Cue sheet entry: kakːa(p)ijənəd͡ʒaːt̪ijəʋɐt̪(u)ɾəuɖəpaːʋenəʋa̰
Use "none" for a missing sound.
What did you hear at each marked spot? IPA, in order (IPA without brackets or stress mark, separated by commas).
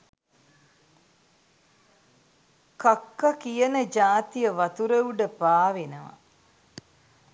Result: k, u